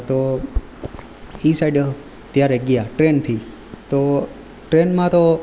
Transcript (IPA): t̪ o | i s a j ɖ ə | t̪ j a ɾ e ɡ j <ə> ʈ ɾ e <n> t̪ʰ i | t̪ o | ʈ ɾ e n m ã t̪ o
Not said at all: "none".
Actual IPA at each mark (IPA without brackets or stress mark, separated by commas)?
a, n